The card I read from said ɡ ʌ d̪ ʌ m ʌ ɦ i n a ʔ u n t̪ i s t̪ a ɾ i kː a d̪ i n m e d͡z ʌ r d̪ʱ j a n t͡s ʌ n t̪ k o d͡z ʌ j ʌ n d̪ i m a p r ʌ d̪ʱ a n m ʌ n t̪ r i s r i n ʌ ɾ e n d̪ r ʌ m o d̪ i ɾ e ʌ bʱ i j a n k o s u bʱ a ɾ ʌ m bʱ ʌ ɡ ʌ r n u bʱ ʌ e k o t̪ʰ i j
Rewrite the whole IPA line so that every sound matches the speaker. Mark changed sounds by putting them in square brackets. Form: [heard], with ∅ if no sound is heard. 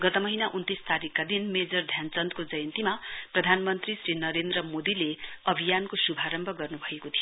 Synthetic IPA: ɡ ʌ [t̪] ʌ m ʌ ɦ i n a ʔ u n t̪ i s t̪ a ɾ i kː a d̪ i n m e d͡z ʌ r d̪ʱ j a n t͡s ʌ n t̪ k o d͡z ʌ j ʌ n [t̪] i m a p r ʌ d̪ʱ a n m ʌ n t̪ r i s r i n ʌ ɾ e n d̪ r ʌ m o d̪ i [l] e ʌ bʱ i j a n k o s u bʱ a ɾ ʌ m bʱ ʌ ɡ ʌ r n u bʱ ʌ e k o t̪ʰ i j